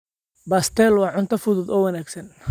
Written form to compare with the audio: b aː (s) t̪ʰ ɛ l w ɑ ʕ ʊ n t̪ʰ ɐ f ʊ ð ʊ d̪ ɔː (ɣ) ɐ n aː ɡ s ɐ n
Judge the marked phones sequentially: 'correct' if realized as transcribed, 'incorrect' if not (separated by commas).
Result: correct, incorrect